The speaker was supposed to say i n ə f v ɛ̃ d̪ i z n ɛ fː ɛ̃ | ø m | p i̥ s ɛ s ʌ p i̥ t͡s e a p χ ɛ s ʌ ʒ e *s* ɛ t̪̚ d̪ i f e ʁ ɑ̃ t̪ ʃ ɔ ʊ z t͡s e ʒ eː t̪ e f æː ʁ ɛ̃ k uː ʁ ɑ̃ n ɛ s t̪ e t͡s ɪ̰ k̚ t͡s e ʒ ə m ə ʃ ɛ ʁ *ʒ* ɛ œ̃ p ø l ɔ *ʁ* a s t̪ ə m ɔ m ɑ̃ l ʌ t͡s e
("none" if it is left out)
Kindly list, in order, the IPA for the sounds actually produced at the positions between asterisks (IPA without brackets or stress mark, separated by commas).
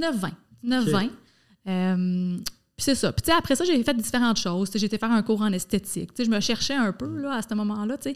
f, ʃ, none